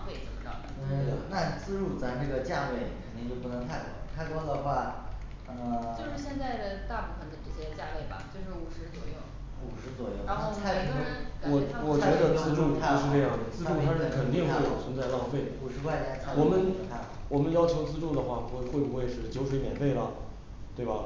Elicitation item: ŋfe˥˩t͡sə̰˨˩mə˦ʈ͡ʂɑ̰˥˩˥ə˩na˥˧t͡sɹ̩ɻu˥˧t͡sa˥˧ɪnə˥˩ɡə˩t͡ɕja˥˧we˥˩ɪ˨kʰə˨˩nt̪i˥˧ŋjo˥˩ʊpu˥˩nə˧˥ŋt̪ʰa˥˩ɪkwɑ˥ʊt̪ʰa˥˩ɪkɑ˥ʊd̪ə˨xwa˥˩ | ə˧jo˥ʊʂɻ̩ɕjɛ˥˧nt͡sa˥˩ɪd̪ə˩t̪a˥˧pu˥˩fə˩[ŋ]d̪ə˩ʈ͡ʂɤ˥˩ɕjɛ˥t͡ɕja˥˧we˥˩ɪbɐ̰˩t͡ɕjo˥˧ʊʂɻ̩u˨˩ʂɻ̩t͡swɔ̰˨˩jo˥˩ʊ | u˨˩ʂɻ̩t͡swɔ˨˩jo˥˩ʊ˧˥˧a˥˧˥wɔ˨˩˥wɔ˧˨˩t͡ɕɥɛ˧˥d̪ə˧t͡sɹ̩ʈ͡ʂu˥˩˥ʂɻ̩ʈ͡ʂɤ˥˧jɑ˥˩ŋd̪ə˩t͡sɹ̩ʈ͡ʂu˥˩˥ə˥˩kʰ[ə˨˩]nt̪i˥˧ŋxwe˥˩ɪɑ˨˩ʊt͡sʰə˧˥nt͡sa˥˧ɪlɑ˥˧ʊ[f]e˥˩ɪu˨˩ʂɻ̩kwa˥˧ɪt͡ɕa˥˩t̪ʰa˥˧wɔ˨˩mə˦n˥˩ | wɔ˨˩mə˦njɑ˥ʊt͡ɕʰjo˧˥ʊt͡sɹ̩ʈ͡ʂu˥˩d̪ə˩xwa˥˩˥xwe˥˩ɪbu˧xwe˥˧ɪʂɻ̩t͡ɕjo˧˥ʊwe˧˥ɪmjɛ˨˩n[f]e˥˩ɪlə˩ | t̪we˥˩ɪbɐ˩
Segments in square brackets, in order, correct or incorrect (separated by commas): incorrect, correct, correct, correct